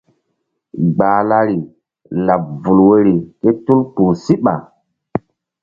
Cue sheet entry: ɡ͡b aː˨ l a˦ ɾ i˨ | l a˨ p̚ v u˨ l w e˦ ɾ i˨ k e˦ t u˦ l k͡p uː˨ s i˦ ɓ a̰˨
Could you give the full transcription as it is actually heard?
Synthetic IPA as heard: ɡ͡b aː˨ l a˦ ɾ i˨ | l a˨ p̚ v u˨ l w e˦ ɾ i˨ k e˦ t u˦ l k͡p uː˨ s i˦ ɓ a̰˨

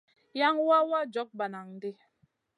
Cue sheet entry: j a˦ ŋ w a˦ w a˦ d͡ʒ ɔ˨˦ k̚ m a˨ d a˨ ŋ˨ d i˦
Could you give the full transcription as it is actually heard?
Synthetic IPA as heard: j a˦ ŋ w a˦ w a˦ d͡ʒ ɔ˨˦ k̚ b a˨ n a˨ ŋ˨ d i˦

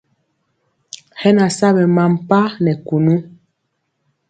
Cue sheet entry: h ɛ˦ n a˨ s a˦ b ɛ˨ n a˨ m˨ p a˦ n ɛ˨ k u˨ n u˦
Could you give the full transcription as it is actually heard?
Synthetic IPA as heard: h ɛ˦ n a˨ s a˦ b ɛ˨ m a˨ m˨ p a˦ n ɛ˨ k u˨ n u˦

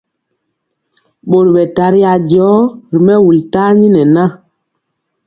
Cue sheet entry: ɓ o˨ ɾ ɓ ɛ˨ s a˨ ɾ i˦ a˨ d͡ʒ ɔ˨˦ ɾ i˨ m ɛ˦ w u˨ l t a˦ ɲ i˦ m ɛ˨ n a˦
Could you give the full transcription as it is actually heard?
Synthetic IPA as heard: ɓ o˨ ɾ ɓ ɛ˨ t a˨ ɾ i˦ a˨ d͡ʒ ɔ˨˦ ɾ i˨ m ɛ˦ w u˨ l t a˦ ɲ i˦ n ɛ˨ n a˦

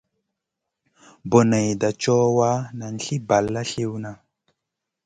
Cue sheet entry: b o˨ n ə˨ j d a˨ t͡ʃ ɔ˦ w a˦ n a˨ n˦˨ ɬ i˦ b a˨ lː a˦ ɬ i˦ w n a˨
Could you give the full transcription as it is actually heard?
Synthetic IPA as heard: b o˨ n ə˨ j d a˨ t͡ʃ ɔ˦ w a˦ n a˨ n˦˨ ɬ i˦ b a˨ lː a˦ ɬ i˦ w n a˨

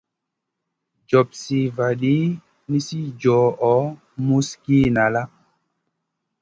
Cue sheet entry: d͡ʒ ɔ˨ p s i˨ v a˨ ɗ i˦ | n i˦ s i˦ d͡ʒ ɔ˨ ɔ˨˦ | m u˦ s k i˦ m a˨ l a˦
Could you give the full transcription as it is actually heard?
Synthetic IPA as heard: d͡ʒ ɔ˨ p s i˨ v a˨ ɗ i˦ | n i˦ s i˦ d͡ʒ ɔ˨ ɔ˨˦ | m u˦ s k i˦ n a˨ l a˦

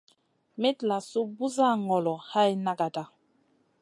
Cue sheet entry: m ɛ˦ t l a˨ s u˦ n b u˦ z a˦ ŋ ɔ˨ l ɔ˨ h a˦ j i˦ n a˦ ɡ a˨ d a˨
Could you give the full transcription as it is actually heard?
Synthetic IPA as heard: m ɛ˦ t l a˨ s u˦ b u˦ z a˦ ŋ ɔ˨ l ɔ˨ h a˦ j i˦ n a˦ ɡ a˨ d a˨

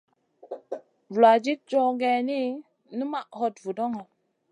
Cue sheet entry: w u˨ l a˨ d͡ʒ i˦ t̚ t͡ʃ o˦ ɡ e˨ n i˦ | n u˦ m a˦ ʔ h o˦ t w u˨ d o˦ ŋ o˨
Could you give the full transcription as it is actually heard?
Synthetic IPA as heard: v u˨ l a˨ d͡ʒ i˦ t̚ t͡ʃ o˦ ɡ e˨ n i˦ | n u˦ m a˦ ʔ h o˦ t v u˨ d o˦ ŋ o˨

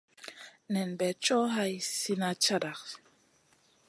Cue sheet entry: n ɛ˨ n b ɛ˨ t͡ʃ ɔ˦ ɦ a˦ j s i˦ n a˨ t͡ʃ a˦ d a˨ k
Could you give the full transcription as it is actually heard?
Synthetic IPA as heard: n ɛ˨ n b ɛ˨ t͡ʃ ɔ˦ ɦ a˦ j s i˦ n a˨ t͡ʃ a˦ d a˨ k

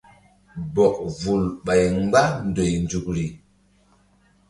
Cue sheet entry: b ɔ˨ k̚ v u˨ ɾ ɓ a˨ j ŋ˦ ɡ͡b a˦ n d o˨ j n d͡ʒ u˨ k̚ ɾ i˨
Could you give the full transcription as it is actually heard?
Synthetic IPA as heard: b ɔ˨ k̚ v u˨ l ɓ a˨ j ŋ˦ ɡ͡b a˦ n d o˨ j n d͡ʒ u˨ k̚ ɾ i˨

